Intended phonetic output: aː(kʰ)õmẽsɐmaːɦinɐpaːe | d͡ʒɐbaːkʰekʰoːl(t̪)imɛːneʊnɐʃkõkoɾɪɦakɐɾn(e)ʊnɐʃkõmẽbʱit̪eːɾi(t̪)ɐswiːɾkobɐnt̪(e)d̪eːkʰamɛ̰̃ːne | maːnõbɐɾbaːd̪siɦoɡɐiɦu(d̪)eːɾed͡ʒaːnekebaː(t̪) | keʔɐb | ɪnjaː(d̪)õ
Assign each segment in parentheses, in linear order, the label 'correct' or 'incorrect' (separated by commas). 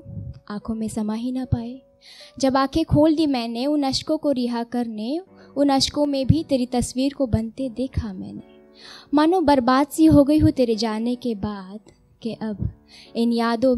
correct, incorrect, correct, correct, correct, incorrect, incorrect, correct